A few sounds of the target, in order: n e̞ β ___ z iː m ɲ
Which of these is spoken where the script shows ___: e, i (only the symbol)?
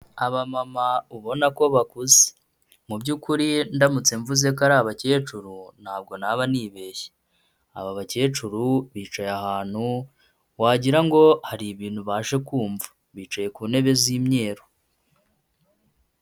e